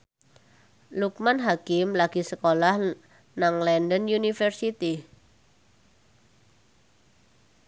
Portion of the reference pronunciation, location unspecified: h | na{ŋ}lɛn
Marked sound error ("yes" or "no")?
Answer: no